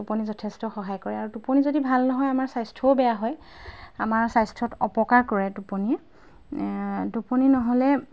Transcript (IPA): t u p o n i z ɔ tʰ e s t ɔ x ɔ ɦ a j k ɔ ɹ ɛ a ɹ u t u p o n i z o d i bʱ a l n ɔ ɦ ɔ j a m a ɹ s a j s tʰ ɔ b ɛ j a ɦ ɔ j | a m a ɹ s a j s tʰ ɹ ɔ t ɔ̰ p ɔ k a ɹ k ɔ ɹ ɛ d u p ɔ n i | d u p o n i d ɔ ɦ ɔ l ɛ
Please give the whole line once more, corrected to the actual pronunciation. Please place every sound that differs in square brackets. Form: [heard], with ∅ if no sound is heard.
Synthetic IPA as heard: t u p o n i z ɔ tʰ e s t ɔ x ɔ ɦ a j k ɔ ɹ ɛ a ɹ u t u p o n i z o d i bʱ a l n ɔ ɦ ɔ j a m a ɹ s a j s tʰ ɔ b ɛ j a ɦ ɔ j | a m a ɹ s a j s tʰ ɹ ɔ t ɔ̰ p ɔ k a ɹ k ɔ ɹ ɛ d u p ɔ n i | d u p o n i [n] ɔ ɦ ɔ l ɛ

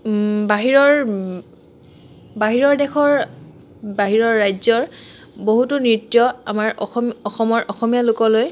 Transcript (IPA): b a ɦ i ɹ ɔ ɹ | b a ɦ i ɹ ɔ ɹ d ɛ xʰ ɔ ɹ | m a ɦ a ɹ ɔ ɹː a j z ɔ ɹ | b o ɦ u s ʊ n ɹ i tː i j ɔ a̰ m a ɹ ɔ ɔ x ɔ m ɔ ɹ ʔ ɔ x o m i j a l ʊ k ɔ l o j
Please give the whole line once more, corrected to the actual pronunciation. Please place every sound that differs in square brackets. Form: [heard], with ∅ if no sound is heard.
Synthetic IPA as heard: b a ɦ i ɹ ɔ ɹ | b a ɦ i ɹ ɔ ɹ d ɛ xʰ ɔ ɹ | [b] a ɦ [i] ɹ ɔ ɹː a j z ɔ ɹ | b o ɦ u [t] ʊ n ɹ i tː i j ɔ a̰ m a ɹ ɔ ɔ x ɔ m ɔ ɹ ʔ ɔ x [ɔ] m i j a l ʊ k ɔ l o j

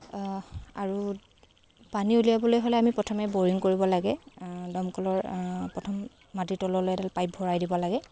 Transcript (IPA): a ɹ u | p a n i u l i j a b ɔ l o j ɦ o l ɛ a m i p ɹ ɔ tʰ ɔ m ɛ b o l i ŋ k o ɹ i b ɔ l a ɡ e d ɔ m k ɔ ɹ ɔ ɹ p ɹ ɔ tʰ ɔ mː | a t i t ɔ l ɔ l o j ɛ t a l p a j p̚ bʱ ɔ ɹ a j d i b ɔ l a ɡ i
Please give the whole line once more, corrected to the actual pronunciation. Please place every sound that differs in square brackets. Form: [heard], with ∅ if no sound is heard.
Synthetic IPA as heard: a ɹ u | p a n i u l i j a b ɔ l o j ɦ o l ɛ a m i p ɹ ɔ tʰ ɔ m ɛ b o [ɹ] i ŋ k o ɹ i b ɔ l a ɡ [ɛ] d ɔ m k ɔ [l] ɔ ɹ p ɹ ɔ tʰ ɔ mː | a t i t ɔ l ɔ l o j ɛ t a l p a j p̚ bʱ ɔ ɹ a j d i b ɔ l a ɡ [ɛ]

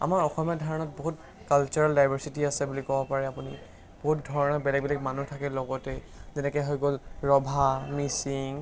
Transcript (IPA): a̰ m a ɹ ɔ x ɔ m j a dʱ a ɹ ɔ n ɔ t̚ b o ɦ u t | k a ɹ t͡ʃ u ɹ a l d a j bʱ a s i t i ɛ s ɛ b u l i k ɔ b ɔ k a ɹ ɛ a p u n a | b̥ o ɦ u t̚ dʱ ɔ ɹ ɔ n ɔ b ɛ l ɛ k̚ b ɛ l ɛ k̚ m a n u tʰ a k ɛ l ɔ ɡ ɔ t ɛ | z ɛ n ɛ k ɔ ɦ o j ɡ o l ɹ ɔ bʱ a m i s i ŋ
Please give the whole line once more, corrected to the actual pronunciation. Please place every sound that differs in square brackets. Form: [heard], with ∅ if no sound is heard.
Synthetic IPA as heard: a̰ m a ɹ ɔ x ɔ m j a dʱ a ɹ ɔ n ɔ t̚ b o ɦ u t | k a [l] t͡ʃ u ɹ a l d a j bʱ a s i t i [a] s ɛ b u l i k ɔ b ɔ [p] a ɹ ɛ a p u n [i] | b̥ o ɦ u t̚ dʱ ɔ ɹ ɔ n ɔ b ɛ l ɛ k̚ b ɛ l ɛ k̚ m a n u tʰ a k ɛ l ɔ ɡ ɔ t ɛ | z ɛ n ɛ k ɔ ɦ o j ɡ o l ɹ ɔ bʱ a m i s i ŋ

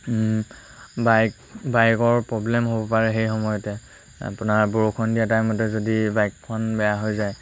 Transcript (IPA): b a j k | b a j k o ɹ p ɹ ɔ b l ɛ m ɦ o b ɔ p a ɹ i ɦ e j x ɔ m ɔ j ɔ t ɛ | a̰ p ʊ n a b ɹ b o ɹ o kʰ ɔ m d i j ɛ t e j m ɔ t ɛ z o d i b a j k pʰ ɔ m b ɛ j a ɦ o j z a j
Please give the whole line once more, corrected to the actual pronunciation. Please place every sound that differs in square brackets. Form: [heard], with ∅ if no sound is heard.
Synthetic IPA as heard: b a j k | b a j k [ɔ] ɹ p ɹ ɔ b l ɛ m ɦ o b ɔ p a ɹ [ɛ] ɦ e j x ɔ m ɔ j ɔ t ɛ | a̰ p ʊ n a [∅] ɹ b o ɹ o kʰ ɔ [n] d i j [a] t [a] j m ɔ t ɛ z o d i b a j k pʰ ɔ [n] b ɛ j a ɦ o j z a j

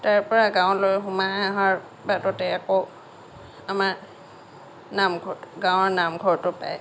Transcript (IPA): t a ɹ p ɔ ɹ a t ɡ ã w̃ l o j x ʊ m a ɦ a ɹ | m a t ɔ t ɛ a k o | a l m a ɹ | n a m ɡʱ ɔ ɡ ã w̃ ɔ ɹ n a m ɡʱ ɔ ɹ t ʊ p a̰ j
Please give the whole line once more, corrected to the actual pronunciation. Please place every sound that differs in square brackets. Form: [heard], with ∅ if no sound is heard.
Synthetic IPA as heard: t a ɹ p ɔ ɹ a [∅] ɡ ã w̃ l o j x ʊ m a ɦ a ɹ | [b] a t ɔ t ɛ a k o | a [∅] m a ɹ | n a m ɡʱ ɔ ɡ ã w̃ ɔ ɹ n a m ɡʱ ɔ ɹ t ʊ p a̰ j

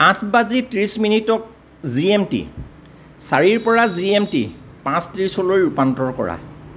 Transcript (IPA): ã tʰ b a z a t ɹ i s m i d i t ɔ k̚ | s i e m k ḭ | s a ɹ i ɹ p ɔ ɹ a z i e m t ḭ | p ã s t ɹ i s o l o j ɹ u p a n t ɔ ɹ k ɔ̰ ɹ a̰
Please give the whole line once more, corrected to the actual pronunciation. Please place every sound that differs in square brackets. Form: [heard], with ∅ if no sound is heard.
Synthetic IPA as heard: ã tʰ b a z [i] t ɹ i s m i [n] i t ɔ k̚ | [z] i e m [t] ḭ | s a ɹ i ɹ p ɔ ɹ a z i e m t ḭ | p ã s t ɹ i s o l o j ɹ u p a n t ɔ ɹ k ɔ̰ ɹ a̰

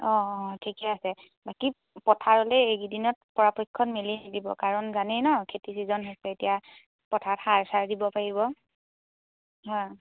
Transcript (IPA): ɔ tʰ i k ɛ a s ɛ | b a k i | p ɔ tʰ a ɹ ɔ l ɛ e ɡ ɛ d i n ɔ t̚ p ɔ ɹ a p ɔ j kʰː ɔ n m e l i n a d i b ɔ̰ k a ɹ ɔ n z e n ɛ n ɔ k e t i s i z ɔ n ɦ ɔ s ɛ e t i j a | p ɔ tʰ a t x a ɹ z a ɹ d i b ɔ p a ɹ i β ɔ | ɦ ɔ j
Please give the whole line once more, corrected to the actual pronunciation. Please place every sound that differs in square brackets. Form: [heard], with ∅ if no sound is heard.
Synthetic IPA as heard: ɔ tʰ i k ɛ a s ɛ | b a k i | p ɔ tʰ a ɹ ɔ l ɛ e ɡ [i] d i n ɔ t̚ p ɔ ɹ a p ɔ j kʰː ɔ n m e l i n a d i b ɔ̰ k a ɹ ɔ n z [a] n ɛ n ɔ [kʰ] e t i s i z ɔ n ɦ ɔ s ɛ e t i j a | p ɔ tʰ a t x a ɹ [s] a ɹ d i b ɔ p a ɹ i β ɔ | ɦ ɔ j

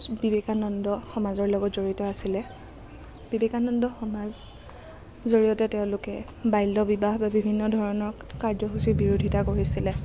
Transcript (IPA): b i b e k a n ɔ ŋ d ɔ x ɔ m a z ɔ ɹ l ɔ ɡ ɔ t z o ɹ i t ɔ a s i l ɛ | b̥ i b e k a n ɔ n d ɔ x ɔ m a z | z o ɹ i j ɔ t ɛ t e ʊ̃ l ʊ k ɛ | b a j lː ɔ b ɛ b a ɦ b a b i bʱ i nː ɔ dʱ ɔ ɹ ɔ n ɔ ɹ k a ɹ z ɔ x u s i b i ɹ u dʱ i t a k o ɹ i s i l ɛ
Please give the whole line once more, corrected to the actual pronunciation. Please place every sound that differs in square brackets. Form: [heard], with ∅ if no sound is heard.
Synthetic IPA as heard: b i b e k a n ɔ [n] d ɔ x ɔ m a z ɔ ɹ l ɔ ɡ ɔ t z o ɹ i t ɔ a s i l ɛ | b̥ i b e k a n ɔ n d ɔ x ɔ m a z | z o ɹ i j ɔ t ɛ t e ʊ̃ l ʊ k ɛ | b a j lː ɔ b [i] b a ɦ b a b i bʱ i nː ɔ dʱ ɔ ɹ ɔ n ɔ ɹ k a ɹ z ɔ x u s i b i ɹ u dʱ i t a k o ɹ i s i l ɛ

